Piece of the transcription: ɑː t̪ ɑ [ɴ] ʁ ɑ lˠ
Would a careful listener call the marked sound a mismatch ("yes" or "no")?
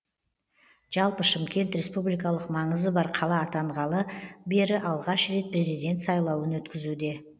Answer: no